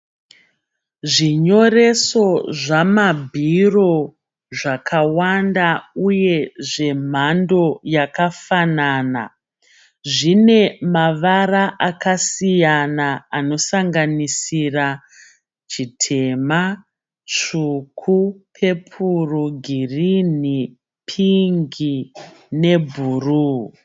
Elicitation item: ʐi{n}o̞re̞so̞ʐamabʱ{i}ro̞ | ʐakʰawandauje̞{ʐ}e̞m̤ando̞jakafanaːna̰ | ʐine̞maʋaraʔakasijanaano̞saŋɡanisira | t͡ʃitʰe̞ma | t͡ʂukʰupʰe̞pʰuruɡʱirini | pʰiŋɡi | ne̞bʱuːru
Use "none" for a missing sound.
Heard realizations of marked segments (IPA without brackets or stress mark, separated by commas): ɲ, i, ʐ